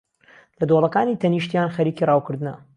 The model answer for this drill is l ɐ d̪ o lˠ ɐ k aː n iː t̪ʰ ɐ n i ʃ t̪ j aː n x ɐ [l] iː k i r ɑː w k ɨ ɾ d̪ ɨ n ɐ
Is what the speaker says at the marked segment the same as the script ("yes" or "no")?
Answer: no